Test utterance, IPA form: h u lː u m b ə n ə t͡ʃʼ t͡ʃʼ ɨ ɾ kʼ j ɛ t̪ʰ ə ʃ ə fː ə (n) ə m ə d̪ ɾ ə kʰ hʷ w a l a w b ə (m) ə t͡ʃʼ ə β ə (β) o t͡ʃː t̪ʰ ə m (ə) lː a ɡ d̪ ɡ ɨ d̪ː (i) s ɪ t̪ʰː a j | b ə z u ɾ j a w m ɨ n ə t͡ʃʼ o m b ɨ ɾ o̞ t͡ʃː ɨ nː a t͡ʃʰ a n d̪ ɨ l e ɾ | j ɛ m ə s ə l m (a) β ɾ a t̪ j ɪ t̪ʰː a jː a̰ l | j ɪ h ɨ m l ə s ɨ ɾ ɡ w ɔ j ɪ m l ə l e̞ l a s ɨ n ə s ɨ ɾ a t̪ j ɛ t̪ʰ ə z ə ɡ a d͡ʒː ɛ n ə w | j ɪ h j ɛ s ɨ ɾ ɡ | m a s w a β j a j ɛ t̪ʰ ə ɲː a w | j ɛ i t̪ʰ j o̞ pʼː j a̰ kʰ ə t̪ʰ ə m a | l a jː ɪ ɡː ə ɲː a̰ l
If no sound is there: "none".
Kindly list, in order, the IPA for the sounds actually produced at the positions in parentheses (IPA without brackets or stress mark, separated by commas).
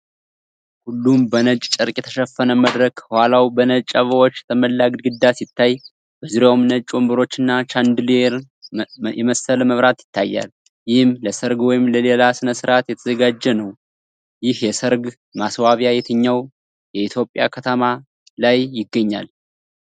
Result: n, n, w, ə, a, ə